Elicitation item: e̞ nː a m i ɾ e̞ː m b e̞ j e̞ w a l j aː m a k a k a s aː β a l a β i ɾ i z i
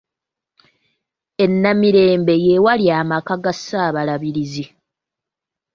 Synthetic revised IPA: e̞ nː a m i ɾ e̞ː m b e̞ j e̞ w a l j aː m a k a ɡ a s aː β a l a β i ɾ i z i